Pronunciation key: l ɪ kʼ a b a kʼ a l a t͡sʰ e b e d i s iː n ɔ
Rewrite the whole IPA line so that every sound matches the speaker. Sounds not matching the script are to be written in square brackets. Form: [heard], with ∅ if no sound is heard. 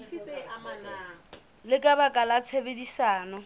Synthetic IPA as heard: l ɪ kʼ a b a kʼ a l a t͡sʰ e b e d i s [aː] n ɔ